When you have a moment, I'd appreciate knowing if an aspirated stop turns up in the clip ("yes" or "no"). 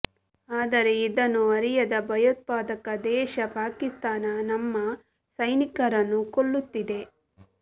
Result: no